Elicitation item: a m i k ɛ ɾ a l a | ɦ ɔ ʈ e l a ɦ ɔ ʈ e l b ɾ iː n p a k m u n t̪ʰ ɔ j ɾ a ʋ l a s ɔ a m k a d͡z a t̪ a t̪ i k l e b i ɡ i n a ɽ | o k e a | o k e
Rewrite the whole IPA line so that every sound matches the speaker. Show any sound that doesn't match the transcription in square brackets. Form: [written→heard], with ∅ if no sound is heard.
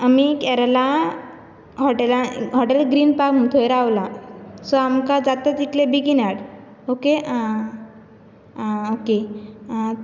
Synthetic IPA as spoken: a m i k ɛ ɾ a l a | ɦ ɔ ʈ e l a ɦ ɔ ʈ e l [b→ɡ] ɾ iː n p a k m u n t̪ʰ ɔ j ɾ a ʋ l a s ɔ a m k a d͡z a t̪ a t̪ i k l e b i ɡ i n a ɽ | o k e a | o k e